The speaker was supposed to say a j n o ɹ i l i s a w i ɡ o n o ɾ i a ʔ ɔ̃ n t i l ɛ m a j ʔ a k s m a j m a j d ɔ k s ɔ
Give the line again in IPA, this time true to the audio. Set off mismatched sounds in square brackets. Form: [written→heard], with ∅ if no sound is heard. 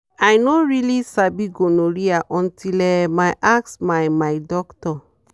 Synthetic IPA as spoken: a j n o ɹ i l i s a [w→b] i ɡ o n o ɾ i a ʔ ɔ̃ n t i l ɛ m a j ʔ a k s m a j m a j d ɔ k [s→t] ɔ

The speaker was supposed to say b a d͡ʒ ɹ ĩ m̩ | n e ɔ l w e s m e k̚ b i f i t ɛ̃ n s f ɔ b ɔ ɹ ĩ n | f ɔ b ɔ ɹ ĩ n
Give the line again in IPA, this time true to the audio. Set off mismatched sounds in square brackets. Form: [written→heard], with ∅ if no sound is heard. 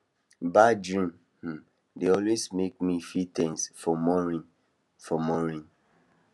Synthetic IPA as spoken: b a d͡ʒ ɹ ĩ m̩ | [n→d] e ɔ l w e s m e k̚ [b→m] i f i t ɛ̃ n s f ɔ [b→m] ɔ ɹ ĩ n | f ɔ [b→m] ɔ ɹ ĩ n

